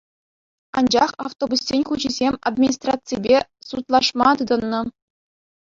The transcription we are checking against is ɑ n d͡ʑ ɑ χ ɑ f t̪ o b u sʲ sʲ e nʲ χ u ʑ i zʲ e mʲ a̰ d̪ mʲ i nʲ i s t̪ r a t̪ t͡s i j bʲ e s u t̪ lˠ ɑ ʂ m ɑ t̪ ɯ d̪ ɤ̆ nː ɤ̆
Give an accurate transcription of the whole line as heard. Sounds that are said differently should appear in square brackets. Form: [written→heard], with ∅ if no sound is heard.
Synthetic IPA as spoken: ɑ n d͡ʑ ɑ χ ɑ f t̪ o b u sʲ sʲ e nʲ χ u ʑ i zʲ e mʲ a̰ d̪ mʲ i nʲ i s t̪ r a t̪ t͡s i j bʲ e s u t̪ lˠ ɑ ʂ m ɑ t̪ ɯ d̪ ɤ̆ nː ɤ̆